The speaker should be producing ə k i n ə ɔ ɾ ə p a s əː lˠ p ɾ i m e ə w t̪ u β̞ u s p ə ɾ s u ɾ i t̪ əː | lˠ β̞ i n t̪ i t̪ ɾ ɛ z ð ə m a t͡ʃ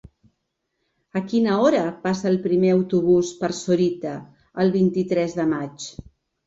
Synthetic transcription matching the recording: ə k i n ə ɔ ɾ ə p a s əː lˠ p ɾ i m e ə w t̪ u β̞ u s p ə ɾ s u ɾ i t̪ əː | lˠ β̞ i n t̪ i t̪ ɾ ɛ z ð ə m a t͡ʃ